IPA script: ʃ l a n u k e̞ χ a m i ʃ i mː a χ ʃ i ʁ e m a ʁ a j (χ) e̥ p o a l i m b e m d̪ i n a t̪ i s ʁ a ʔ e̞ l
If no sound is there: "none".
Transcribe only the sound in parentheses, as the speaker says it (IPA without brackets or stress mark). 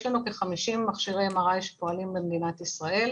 ʃ